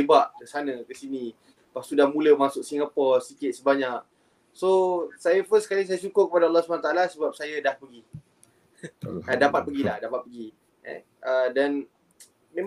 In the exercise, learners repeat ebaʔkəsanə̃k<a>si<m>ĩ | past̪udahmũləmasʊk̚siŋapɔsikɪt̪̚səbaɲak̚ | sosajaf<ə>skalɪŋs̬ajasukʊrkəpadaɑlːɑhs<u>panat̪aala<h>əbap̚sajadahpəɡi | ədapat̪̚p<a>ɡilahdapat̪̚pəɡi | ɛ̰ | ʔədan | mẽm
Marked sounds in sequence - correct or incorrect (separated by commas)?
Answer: incorrect, incorrect, correct, correct, incorrect, incorrect